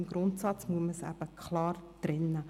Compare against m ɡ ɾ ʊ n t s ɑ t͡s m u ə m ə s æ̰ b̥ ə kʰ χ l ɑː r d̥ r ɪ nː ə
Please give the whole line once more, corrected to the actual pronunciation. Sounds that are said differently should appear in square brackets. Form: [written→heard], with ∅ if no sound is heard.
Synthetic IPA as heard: m ɡ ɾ ʊ n t s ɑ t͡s m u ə m ə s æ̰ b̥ ə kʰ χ l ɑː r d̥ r ɪ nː ə